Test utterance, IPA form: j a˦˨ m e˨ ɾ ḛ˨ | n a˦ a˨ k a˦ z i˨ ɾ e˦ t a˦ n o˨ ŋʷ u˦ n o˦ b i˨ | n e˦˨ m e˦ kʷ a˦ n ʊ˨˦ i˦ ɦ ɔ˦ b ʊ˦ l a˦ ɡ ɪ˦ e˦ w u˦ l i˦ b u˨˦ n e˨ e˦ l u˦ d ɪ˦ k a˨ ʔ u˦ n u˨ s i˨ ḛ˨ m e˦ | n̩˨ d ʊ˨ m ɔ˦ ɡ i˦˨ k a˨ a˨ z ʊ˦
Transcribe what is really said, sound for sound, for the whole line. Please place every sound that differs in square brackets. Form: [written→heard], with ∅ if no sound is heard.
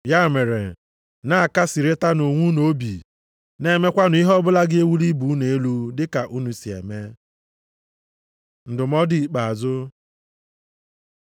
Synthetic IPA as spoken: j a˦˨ m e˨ ɾ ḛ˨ | n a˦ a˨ k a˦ [z→s] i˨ ɾ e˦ t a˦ n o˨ ŋʷ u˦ n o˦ b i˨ | n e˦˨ m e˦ kʷ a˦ n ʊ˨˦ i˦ ɦ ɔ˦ b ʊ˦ l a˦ ɡ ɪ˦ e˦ w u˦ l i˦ b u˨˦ n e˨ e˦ l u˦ d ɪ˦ k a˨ ʔ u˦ n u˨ s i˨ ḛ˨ m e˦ | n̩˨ d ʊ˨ m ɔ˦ [ɡ→d] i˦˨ [k→k͡p] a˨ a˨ z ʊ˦